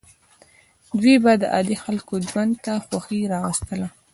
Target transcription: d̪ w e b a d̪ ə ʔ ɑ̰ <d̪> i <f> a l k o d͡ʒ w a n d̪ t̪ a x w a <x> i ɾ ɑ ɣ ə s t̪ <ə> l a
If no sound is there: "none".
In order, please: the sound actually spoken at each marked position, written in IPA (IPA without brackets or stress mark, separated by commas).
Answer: d̪, x, x, ə